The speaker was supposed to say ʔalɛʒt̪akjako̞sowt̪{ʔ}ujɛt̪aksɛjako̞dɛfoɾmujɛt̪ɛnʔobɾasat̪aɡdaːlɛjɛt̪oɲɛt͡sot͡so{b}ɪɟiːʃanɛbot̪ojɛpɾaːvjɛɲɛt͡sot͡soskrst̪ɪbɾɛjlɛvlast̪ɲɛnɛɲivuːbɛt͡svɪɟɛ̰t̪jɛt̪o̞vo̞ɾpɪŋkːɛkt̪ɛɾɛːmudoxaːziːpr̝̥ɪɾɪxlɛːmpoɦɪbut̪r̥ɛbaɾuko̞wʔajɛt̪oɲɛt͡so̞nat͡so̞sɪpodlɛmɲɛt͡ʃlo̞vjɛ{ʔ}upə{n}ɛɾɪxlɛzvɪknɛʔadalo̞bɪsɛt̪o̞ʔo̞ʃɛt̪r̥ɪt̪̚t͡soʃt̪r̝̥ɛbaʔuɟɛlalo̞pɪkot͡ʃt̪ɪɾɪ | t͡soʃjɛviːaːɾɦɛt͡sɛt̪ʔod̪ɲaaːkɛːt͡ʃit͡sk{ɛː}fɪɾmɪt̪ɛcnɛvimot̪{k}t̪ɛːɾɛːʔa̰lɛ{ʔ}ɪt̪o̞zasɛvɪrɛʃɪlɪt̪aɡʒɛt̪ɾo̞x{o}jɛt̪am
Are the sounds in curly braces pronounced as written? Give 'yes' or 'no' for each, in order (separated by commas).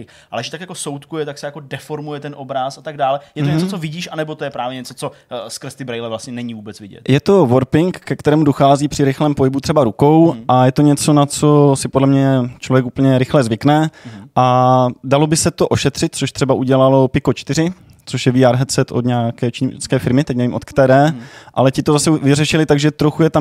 no, no, no, no, yes, yes, no, no